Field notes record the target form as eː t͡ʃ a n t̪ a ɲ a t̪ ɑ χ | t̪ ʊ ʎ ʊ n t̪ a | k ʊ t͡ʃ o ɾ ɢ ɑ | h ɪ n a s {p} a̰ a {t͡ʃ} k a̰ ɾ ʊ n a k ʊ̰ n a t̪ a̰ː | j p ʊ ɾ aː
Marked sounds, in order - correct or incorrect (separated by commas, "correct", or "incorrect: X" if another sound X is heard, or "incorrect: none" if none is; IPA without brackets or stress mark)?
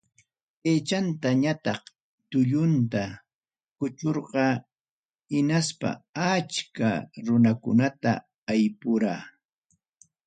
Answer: correct, correct